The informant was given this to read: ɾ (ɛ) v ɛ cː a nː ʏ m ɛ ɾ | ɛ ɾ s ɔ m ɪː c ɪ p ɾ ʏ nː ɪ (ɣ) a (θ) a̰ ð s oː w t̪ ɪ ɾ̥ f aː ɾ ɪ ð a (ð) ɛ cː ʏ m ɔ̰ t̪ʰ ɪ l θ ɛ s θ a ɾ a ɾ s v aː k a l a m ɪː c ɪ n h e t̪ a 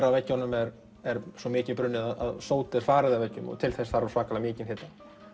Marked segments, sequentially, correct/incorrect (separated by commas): incorrect, incorrect, incorrect, incorrect